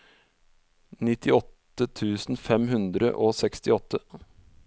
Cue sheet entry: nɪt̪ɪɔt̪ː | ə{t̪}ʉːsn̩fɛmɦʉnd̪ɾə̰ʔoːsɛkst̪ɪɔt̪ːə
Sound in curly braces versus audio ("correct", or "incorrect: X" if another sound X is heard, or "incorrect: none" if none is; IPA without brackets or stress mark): incorrect: t̪ʰ